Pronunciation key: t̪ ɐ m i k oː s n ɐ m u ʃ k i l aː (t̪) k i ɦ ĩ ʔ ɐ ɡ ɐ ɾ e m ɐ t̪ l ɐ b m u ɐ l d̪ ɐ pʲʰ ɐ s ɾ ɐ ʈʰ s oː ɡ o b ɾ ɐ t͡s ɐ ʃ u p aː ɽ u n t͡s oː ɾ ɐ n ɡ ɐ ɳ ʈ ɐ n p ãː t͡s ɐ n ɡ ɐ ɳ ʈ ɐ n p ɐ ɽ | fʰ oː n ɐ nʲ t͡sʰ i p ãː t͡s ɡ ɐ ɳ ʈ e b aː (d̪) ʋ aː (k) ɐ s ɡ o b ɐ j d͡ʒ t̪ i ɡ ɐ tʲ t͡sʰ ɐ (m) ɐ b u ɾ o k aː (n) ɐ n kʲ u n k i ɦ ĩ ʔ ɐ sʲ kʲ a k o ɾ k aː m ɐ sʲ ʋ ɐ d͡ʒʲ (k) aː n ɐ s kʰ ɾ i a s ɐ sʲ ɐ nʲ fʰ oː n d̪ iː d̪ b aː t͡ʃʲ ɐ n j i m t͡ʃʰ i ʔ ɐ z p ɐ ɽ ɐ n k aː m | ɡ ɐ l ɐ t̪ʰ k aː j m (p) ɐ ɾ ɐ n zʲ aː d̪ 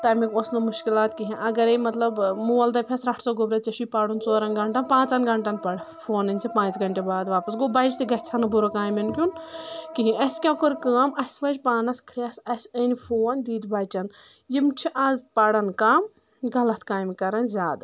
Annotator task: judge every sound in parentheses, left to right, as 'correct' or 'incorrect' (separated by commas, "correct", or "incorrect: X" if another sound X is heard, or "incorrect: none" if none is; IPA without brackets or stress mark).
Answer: correct, correct, incorrect: p, incorrect: n, incorrect: m, incorrect: p, incorrect: k